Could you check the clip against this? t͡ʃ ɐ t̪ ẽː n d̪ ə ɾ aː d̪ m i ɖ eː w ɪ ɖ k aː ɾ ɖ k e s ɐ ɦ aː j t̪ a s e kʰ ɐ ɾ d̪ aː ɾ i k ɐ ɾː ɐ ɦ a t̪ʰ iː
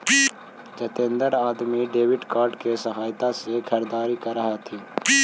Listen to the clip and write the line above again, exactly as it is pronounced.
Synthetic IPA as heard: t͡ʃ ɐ t̪ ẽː n d̪ ə ɾ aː d̪ m i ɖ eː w ɪ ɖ k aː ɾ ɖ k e s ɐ ɦ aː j t̪ a s e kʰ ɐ ɾ d̪ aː ɾ i k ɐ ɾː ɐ ɦ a t̪ʰ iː